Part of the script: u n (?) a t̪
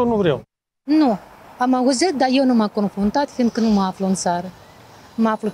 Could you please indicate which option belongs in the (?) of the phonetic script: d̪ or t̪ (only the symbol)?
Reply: t̪